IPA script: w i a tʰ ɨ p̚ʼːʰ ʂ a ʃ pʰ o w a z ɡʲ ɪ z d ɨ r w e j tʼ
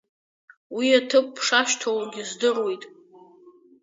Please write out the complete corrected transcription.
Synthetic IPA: w i a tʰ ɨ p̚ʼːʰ ʂ a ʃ tʰ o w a ɡʲ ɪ z d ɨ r w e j tʼ